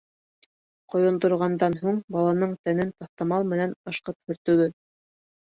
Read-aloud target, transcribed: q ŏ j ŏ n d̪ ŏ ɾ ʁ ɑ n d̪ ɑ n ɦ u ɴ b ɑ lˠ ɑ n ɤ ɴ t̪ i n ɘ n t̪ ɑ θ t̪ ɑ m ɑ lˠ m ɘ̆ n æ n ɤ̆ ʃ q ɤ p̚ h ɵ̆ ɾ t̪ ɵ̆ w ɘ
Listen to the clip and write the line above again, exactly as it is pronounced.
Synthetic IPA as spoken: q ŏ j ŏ n d̪ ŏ ɾ ʁ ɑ n d̪ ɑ n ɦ u ɴ b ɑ lˠ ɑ n ɤ ɴ t̪ æ n ɘ n t̪ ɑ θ t̪ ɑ m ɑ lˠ m ɘ̆ n æ n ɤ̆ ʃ q ɤ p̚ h ɵ̆ ɾ t̪ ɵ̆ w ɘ